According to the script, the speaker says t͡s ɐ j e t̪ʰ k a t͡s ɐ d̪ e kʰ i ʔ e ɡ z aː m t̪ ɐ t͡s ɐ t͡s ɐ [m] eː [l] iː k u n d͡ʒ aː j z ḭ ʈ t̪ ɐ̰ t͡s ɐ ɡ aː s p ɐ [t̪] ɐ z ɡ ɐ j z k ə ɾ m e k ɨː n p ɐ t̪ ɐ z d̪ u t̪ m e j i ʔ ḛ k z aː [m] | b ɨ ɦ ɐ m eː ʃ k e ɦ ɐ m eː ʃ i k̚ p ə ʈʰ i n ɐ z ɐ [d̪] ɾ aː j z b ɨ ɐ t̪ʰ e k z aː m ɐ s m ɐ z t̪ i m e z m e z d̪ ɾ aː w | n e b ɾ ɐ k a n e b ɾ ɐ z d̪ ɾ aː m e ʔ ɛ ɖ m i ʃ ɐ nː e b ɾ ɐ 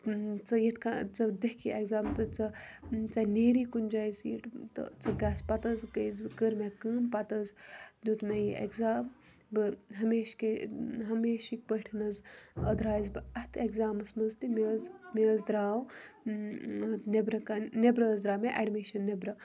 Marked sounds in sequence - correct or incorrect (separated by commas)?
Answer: incorrect, incorrect, correct, correct, correct